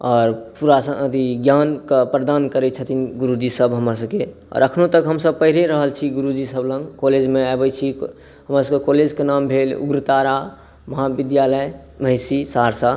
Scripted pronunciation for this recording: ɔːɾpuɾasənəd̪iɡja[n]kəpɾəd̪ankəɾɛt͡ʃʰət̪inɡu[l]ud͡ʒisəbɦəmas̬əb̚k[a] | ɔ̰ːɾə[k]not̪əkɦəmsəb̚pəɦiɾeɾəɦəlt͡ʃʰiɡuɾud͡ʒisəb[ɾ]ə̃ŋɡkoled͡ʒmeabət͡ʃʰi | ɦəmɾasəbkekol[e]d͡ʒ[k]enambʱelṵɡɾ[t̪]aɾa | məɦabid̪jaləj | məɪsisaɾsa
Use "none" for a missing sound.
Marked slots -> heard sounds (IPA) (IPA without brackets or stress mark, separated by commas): n, ɾ, e, kʰ, l, e, k, t̪